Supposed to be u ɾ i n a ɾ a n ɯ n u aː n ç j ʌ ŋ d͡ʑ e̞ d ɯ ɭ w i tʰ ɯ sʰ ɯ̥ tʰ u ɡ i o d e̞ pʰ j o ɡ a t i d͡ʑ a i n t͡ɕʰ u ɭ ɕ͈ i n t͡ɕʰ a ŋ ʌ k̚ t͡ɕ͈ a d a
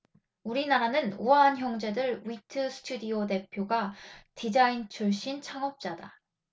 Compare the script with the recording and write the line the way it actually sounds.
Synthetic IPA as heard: u ɾ i n a ɾ a n ɯ n u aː n ç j ʌ ŋ d͡ʑ e̞ d ɯ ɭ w i tʰ ɯ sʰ ɯ̥ tʰ u d i o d e̞ pʰ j o ɡ a t i d͡ʑ a i n t͡ɕʰ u ɭ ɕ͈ i n t͡ɕʰ a ŋ ʌ p̚ t͡ɕ͈ a d a